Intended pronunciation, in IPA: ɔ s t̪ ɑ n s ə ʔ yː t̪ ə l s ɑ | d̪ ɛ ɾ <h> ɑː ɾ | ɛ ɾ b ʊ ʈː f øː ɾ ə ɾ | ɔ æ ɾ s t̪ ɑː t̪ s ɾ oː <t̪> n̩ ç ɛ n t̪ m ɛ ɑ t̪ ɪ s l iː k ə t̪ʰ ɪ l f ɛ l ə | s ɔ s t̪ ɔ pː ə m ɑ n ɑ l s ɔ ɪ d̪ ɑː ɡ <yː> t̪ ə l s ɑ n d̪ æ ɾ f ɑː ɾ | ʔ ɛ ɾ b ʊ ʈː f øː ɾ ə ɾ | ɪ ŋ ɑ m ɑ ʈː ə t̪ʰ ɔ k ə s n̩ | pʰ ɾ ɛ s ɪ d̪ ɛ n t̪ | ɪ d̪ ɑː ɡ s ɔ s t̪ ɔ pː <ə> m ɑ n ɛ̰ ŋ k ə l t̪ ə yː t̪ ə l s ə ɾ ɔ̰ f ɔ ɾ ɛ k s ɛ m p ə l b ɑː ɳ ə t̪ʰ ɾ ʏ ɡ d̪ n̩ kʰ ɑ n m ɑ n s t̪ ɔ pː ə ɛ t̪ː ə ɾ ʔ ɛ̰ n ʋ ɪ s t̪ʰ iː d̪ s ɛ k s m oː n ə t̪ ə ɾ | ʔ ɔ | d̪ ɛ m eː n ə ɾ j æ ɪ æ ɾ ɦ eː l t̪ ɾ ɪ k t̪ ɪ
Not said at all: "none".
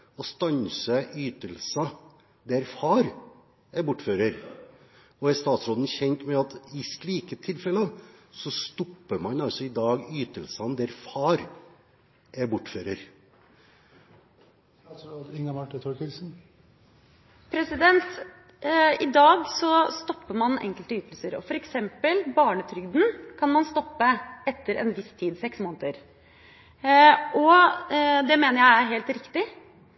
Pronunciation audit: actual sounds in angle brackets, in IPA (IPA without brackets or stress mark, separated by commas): f, d̪, yː, ə